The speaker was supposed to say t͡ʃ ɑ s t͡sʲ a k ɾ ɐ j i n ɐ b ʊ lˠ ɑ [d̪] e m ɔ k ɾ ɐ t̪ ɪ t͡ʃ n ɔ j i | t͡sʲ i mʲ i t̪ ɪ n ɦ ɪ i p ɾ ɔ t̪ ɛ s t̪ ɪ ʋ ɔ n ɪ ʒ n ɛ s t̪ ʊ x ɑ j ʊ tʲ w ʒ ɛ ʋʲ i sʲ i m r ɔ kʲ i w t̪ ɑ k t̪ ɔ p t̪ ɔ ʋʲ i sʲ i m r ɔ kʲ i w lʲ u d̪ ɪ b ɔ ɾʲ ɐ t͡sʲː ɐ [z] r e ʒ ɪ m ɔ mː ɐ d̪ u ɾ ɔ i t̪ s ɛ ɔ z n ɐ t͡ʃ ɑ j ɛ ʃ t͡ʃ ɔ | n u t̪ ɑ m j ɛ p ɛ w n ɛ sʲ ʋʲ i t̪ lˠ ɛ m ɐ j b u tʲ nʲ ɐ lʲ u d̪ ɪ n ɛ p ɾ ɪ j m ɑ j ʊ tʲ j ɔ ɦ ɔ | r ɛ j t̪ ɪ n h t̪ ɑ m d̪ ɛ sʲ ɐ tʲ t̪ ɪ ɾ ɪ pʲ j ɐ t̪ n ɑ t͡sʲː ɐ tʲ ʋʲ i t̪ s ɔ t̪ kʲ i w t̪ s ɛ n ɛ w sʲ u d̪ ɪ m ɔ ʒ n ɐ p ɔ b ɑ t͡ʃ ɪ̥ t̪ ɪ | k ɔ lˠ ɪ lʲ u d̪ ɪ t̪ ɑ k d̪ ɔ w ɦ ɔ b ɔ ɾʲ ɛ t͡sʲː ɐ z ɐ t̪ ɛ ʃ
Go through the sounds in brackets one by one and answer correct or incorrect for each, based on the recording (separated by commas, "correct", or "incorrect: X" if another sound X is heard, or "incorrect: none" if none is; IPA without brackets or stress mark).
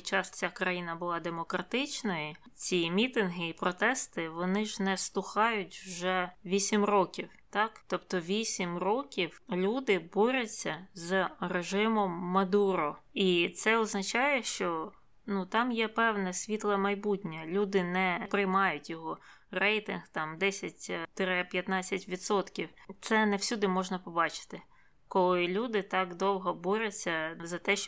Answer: correct, correct